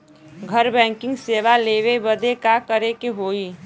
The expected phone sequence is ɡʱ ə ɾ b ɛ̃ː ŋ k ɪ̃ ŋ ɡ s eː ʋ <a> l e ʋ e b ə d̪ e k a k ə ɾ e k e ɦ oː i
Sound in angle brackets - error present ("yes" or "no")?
no